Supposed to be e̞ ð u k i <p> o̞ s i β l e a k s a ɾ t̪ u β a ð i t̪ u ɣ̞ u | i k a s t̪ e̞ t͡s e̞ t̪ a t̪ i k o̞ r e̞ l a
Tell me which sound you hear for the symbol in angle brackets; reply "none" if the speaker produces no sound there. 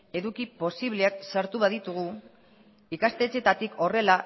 p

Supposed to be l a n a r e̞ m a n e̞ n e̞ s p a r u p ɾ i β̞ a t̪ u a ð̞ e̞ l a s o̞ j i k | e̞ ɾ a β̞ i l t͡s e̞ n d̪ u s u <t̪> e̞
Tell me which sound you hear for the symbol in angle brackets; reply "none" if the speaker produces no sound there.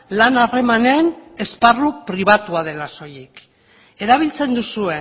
none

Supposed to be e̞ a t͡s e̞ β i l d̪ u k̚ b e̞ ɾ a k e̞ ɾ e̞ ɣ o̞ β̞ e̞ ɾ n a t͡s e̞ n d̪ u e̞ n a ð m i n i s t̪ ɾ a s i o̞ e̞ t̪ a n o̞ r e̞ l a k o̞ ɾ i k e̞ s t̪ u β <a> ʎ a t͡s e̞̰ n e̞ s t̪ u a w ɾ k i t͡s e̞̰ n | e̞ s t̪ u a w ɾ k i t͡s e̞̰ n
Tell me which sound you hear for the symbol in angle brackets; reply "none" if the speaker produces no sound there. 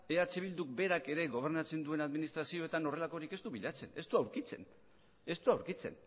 i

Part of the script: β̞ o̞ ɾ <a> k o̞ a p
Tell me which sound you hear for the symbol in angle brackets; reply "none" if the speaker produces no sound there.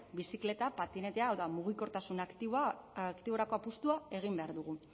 a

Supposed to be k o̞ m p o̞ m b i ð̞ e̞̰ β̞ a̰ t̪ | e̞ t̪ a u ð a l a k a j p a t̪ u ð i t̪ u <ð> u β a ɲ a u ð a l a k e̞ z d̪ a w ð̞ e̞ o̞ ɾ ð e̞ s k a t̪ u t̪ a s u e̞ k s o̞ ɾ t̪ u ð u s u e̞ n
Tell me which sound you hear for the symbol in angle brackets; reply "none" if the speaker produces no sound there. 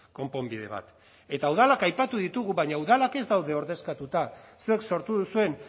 ɣ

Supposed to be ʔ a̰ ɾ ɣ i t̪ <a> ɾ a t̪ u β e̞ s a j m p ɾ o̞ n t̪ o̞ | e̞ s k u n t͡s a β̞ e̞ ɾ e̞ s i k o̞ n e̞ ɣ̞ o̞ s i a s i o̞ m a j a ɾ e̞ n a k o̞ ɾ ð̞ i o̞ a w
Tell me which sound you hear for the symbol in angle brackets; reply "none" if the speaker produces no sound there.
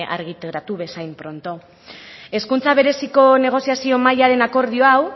e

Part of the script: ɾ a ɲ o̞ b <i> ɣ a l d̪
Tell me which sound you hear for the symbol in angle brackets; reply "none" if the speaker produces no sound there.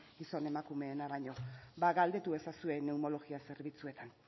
a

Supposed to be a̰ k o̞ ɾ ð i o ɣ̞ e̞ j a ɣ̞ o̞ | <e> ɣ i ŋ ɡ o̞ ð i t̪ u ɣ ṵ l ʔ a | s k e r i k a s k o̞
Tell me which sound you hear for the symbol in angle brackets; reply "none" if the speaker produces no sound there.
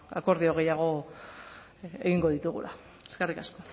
e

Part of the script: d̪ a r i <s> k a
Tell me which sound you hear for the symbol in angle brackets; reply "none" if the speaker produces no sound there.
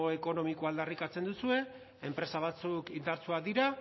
none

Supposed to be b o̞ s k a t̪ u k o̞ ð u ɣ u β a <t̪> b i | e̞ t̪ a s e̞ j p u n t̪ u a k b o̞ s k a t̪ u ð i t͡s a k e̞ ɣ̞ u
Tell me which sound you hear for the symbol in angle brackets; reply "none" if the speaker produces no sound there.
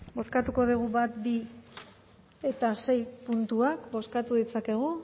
t̪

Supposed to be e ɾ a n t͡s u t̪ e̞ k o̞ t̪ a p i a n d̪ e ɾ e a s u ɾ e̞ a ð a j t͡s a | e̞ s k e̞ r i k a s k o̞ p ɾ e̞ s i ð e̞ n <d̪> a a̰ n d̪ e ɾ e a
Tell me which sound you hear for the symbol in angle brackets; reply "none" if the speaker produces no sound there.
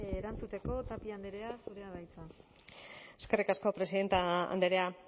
t̪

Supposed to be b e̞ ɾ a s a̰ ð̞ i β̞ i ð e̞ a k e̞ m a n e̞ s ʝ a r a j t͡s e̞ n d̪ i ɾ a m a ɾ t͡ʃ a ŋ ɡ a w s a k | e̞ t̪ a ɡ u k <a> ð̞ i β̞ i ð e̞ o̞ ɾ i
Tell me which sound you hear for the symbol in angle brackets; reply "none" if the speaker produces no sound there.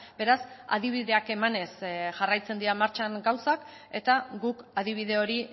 a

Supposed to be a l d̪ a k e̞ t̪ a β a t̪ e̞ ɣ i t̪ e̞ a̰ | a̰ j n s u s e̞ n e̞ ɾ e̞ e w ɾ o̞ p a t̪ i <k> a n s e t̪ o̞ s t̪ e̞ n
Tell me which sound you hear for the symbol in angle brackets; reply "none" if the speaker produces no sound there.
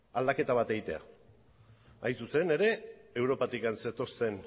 k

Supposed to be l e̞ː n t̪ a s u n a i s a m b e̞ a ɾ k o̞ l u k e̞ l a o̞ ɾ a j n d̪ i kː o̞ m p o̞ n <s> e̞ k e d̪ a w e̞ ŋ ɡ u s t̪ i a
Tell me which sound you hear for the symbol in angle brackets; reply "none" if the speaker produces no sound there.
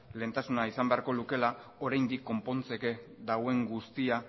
t͡s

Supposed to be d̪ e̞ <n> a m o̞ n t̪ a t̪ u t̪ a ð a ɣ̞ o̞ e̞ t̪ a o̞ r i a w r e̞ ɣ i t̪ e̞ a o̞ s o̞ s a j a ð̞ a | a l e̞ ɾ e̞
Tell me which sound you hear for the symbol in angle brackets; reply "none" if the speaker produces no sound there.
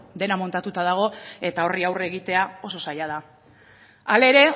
n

